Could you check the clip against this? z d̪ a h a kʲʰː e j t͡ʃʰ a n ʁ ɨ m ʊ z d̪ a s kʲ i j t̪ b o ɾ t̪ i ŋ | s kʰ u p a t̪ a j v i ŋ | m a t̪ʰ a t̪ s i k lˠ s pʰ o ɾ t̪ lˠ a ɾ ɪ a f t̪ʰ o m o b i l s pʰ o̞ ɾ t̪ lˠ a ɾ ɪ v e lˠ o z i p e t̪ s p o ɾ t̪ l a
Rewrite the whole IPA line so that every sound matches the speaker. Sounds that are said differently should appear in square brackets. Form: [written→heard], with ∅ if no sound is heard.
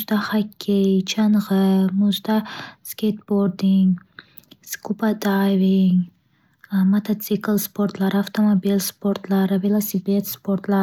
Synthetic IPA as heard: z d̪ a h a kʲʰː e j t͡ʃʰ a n ʁ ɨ m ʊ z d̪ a s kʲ [i→e] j t̪ b o ɾ [t̪→d̪] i ŋ | s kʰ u p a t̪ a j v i ŋ | m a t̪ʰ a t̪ s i k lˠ s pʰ o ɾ t̪ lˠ a ɾ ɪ a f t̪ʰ o m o b i l s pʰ o̞ ɾ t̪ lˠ a ɾ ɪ v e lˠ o [z→s] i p e t̪ s p o ɾ t̪ l a